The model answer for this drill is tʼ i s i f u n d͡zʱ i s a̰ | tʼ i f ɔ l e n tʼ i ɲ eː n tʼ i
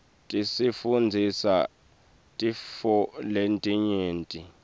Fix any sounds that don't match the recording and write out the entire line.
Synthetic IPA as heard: tʼ i s i f u n d͡zʱ i s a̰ | tʼ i f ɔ l e n tʼ i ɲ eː n tʼ i